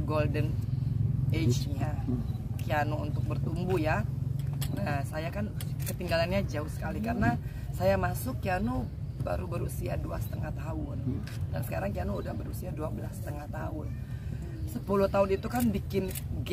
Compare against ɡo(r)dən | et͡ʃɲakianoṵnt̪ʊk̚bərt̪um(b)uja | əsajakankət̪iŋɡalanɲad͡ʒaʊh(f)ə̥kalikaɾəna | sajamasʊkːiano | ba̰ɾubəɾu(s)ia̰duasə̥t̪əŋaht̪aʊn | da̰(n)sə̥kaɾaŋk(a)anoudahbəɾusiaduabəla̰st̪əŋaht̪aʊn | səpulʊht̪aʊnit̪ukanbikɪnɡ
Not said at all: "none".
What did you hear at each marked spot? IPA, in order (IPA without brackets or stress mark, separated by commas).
l, b, s, s, n, i